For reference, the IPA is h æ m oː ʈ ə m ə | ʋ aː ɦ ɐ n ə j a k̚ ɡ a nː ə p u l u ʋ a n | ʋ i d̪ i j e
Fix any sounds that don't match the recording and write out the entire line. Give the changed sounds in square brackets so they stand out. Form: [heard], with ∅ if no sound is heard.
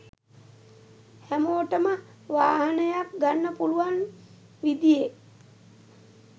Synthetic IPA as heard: h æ m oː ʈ ə m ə | ʋ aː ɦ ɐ n ə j a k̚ ɡ a nː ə p u l u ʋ a n | ʋ i d̪ i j e